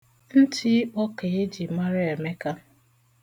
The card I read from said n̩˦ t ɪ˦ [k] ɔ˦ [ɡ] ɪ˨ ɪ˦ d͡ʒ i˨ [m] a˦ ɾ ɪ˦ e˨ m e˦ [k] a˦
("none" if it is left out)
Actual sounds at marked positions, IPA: k͡p, k, m, k

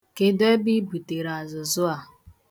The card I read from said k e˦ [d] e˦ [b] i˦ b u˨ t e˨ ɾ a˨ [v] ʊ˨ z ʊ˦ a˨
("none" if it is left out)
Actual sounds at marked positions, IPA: d, b, z

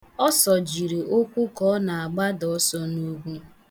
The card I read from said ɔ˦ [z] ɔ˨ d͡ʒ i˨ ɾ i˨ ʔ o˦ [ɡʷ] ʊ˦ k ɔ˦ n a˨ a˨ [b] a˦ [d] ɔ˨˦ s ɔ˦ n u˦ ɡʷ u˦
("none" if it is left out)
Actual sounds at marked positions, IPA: s, kʷ, ɡ͡b, d

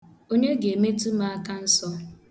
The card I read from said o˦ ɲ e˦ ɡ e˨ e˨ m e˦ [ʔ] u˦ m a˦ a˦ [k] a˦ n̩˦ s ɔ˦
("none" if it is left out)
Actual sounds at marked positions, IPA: t, k

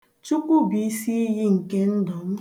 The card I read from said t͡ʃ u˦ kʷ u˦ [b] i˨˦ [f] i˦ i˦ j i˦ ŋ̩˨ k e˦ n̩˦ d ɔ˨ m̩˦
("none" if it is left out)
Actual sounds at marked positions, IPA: b, s

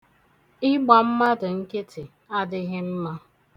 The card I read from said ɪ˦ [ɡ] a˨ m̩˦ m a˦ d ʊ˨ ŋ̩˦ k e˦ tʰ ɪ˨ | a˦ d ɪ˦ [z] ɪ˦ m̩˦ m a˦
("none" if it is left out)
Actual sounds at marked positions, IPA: ɡ͡b, ɣ

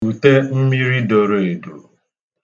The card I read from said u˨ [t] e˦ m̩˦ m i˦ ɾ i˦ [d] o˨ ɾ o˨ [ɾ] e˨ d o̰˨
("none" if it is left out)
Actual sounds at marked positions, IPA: t, d, none

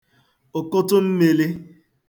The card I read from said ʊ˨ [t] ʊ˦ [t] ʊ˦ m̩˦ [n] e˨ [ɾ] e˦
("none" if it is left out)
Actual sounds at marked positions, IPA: k, t, m, l

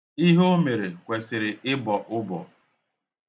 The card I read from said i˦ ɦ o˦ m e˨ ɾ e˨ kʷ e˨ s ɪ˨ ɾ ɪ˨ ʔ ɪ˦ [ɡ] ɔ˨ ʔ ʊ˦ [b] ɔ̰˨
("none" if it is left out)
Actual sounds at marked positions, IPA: b, b

